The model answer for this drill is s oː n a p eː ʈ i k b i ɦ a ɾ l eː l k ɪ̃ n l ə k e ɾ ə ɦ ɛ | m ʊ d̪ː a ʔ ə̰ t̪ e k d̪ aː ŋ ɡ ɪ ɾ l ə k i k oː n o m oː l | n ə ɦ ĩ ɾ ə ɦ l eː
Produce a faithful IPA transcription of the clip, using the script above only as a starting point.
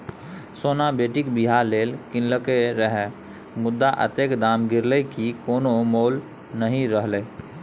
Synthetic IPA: s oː n a b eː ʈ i k b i ɦ a ɾ l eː l k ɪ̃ n l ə k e ɾ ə ɦ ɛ | m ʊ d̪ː a ʔ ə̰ t̪ e k d̪ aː m ɡ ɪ ɾ l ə k i k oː n o m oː l | n ə ɦ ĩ ɾ ə ɦ l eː